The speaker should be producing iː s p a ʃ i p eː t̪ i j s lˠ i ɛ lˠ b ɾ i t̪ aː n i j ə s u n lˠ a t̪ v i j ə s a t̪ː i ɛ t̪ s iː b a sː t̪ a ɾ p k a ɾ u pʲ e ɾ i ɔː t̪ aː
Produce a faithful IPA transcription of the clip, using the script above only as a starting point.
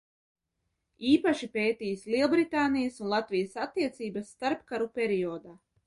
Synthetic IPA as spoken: iː p a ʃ i p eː t̪ i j s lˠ i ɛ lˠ b ɾ i t̪ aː n i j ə s u n lˠ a t̪ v i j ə s a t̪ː i ɛ t̪ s iː b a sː t̪ a ɾ p k a ɾ u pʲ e ɾ i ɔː d̪ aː